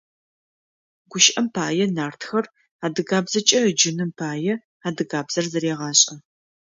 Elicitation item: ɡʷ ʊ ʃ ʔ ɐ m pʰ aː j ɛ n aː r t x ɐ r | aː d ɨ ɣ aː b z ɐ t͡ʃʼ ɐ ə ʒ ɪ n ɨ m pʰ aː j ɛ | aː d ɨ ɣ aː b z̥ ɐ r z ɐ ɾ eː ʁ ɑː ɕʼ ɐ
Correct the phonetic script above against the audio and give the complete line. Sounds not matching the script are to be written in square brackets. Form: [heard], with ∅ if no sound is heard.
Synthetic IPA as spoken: ɡʷ ʊ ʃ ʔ ɐ m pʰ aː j ɛ n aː r t x ɐ r | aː d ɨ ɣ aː b z ɐ t͡ʃʼ ɐ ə [d͡ʒ] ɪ n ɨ m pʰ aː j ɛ | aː d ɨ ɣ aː b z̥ ɐ r z ɐ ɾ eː ʁ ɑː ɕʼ ɐ